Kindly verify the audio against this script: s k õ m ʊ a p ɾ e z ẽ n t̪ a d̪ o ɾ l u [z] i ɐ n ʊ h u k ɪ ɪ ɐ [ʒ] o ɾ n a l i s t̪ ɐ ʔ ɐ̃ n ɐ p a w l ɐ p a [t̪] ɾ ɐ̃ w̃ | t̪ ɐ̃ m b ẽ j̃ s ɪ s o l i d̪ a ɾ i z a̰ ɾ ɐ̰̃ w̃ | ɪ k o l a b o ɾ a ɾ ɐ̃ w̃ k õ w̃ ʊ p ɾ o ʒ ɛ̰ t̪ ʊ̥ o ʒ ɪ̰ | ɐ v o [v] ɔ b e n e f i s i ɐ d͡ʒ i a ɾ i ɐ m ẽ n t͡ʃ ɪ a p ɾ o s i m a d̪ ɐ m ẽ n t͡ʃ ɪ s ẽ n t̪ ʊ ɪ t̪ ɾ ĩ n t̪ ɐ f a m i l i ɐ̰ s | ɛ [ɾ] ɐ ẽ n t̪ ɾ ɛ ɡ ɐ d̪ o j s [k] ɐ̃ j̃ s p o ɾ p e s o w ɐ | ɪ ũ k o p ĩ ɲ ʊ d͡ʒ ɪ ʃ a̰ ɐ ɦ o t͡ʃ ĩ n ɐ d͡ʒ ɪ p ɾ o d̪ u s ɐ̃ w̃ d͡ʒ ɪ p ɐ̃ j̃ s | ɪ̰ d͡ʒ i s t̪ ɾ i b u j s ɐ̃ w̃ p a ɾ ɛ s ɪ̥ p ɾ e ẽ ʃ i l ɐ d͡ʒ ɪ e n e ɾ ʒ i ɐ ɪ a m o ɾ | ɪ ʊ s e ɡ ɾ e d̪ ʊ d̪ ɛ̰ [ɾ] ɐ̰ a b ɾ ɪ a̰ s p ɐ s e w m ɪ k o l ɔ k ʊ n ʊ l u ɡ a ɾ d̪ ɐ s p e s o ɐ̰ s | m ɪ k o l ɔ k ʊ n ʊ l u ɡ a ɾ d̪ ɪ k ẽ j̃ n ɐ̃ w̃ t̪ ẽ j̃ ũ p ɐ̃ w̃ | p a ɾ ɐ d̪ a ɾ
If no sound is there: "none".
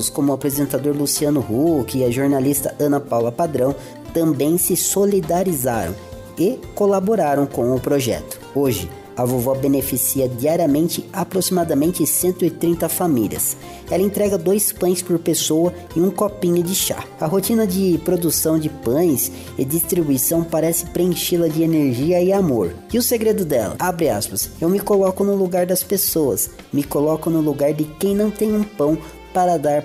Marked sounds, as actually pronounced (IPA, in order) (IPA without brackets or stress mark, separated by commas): s, ʒ, d̪, v, l, p, l